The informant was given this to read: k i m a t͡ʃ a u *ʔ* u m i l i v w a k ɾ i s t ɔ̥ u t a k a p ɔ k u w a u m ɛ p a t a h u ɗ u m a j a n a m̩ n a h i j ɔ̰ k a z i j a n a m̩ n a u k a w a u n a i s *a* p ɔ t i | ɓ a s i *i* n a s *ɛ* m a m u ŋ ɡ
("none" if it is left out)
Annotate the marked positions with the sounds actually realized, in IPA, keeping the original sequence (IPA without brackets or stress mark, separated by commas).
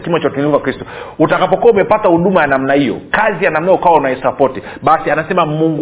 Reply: t, a, a, ɛ